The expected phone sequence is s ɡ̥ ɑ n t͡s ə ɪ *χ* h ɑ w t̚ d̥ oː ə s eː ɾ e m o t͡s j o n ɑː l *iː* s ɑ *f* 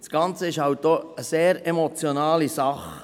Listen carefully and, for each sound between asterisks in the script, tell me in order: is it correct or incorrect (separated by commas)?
incorrect, incorrect, incorrect